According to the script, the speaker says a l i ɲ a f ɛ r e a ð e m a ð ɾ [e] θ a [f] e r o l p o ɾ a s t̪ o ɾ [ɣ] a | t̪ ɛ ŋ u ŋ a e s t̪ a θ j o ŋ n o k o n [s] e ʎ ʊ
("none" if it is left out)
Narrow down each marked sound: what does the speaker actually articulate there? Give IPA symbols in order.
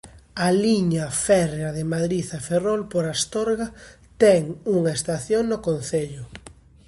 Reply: i, f, ɣ, θ

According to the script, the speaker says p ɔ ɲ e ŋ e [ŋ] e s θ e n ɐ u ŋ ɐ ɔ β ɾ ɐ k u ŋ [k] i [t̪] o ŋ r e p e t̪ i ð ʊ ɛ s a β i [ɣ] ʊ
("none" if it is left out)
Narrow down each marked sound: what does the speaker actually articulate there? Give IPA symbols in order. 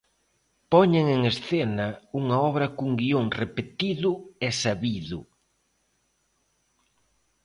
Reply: ŋ, ɡ, none, ð

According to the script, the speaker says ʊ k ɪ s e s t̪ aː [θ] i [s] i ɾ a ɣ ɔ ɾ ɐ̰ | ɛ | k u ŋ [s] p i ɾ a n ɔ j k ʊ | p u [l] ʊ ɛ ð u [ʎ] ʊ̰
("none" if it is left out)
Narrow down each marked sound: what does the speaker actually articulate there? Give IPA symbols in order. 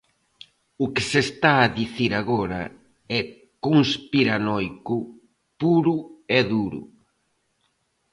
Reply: ð, θ, s, ɾ, ɾ

